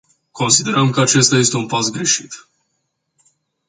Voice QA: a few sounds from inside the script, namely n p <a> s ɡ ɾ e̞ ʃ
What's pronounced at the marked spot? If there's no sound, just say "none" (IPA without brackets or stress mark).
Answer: a